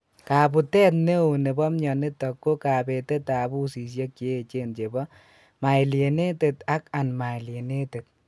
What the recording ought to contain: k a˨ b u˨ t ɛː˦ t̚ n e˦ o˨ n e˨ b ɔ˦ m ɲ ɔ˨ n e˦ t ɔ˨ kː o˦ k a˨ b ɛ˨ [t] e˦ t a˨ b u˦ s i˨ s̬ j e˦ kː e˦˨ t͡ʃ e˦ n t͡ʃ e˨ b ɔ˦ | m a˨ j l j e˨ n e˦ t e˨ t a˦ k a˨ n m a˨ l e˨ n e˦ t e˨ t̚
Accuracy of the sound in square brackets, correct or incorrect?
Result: correct